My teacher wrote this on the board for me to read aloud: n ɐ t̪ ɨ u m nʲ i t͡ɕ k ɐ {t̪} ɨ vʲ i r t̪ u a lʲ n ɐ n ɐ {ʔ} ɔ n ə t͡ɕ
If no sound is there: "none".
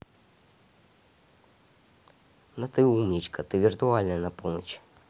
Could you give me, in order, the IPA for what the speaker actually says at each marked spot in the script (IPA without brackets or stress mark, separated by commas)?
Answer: t̪, p